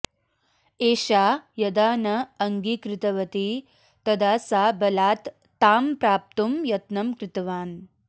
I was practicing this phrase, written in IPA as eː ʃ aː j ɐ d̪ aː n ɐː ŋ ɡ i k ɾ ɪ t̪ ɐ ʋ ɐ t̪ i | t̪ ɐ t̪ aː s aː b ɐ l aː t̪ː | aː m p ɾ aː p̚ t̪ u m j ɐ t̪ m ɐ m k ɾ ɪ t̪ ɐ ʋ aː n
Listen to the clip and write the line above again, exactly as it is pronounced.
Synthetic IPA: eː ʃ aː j ɐ d̪ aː n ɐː ŋ ɡ i k ɾ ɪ t̪ ɐ ʋ ɐ t̪ i | t̪ ɐ d̪ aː s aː b ɐ l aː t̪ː | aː m p ɾ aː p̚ t̪ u m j ɐ t̪ n ɐ m k ɾ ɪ t̪ ɐ ʋ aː n